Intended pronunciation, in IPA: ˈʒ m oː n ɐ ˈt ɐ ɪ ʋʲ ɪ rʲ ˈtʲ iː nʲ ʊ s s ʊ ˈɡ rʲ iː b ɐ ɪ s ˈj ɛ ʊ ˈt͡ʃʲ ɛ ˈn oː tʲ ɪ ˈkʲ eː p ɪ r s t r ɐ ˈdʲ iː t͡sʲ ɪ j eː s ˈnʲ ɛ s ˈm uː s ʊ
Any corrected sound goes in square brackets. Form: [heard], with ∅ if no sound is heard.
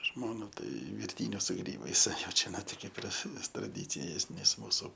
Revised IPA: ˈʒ m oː n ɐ ˈt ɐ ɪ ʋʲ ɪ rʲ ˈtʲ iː nʲ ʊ s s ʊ ˈɡ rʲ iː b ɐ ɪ s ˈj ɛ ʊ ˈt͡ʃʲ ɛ ˈn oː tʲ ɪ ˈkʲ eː p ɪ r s t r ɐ ˈdʲ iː t͡sʲ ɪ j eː s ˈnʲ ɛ s ˈm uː s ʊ